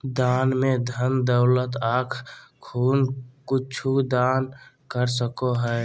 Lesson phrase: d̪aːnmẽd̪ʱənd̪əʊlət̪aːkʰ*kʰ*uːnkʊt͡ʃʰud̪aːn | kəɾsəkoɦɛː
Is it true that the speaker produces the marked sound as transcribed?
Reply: yes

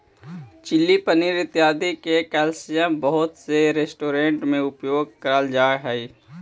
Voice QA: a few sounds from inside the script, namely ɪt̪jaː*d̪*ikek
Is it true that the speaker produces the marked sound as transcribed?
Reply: yes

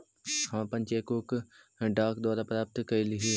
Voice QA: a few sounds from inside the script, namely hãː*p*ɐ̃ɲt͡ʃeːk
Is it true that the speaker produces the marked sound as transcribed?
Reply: yes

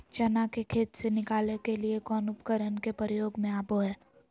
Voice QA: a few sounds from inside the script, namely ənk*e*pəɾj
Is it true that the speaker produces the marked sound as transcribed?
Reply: yes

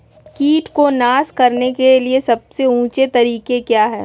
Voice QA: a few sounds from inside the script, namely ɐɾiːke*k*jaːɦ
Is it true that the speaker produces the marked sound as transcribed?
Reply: yes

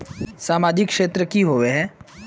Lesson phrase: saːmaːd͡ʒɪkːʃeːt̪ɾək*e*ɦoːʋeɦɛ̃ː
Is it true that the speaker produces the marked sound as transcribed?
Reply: no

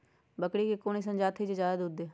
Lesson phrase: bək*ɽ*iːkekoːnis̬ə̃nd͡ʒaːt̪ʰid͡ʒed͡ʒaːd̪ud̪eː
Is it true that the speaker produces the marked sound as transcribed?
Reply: yes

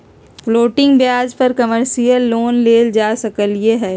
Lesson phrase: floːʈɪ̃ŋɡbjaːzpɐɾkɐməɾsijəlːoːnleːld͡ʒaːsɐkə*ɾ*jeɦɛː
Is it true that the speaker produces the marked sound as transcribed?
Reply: no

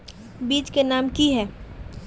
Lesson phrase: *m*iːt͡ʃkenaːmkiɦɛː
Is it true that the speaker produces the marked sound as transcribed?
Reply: no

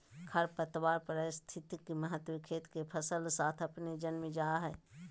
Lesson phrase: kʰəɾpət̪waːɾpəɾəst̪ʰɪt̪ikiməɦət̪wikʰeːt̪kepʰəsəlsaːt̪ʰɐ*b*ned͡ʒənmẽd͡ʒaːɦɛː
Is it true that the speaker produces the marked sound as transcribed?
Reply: no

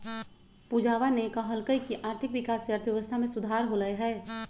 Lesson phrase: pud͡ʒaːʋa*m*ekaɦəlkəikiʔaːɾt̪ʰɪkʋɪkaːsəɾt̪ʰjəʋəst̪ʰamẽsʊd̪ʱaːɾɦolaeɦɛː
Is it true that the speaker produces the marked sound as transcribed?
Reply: no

